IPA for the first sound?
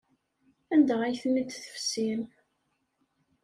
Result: æ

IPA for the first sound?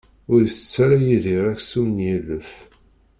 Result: ʊ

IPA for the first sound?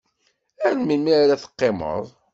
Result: æ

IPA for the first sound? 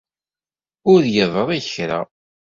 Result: ʊ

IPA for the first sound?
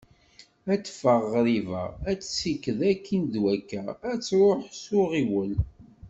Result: æ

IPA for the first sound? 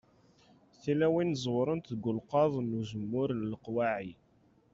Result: θ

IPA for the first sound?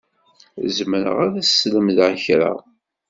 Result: z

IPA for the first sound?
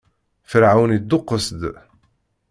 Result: f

